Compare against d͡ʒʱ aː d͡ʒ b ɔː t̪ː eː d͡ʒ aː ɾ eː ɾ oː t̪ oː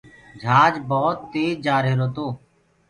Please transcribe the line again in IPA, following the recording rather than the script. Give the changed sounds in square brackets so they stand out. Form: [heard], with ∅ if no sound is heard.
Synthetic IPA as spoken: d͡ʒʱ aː d͡ʒ b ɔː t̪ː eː d͡ʒ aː ɾ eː ɾ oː t̪ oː